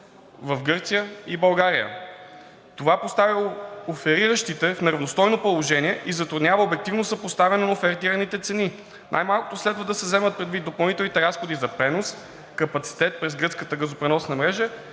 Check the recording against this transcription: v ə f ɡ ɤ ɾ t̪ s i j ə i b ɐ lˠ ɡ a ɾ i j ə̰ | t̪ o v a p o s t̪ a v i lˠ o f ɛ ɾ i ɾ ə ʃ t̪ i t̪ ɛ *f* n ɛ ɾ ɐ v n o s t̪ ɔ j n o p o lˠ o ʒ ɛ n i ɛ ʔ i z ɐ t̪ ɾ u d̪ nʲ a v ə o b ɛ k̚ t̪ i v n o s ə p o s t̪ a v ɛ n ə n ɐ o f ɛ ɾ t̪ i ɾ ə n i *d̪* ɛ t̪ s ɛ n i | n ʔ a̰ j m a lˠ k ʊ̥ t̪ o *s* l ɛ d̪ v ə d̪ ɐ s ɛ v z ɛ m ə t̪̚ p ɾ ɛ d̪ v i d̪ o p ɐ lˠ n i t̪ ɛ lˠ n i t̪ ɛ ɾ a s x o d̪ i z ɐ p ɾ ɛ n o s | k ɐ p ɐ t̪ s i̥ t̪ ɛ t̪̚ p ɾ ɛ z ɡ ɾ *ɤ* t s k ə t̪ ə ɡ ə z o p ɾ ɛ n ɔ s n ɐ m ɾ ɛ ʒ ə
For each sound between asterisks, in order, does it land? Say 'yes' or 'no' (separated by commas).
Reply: yes, no, yes, yes